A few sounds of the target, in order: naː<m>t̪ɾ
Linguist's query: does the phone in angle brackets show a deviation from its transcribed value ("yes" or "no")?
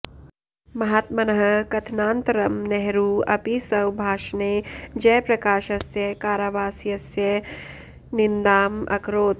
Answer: yes